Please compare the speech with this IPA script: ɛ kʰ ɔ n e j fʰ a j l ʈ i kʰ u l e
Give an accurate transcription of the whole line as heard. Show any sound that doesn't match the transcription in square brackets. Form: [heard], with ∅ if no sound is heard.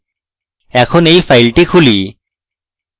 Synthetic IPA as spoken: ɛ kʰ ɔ n e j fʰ a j l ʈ i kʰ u l [i]